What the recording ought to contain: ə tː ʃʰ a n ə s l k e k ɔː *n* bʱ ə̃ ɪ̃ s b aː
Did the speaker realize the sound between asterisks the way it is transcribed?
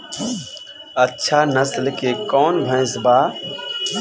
yes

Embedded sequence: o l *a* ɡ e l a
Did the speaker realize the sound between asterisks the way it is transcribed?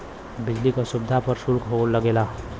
no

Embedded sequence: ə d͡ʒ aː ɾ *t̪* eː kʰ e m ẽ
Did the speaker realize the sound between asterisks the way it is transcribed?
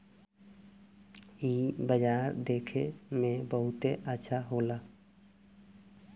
no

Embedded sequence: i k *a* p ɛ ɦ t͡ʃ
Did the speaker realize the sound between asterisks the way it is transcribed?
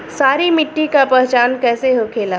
yes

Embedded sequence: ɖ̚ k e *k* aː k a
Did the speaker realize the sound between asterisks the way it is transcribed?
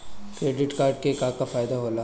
yes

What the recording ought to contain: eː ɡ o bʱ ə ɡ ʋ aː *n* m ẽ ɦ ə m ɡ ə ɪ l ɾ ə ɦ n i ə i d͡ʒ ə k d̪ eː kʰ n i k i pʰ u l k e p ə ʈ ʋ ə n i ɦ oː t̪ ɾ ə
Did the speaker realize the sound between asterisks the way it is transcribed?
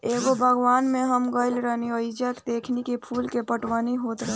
yes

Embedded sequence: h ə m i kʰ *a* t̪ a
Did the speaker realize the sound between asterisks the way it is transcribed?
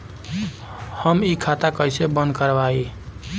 yes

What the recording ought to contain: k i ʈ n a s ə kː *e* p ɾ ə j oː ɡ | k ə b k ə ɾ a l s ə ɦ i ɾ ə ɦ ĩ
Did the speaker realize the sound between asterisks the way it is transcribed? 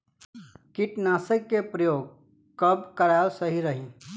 yes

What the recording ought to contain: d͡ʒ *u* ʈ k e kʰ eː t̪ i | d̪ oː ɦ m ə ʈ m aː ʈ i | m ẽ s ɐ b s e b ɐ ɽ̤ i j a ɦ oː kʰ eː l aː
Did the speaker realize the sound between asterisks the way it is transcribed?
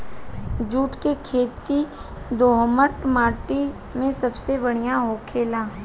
no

